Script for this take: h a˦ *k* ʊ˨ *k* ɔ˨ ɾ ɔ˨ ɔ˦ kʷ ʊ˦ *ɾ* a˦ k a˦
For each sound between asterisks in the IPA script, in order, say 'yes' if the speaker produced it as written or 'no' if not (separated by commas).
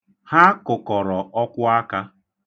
yes, yes, no